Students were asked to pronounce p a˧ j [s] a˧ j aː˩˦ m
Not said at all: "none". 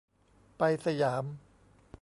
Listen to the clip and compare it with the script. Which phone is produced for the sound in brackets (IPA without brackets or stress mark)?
s